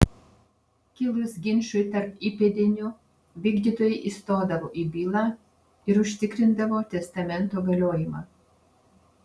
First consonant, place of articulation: velar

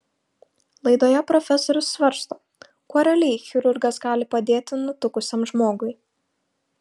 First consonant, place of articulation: alveolar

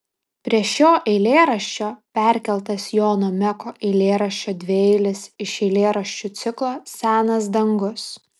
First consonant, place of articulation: labial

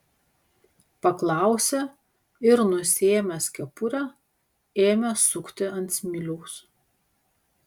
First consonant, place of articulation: labial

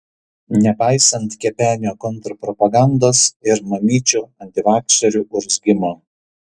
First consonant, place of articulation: alveolar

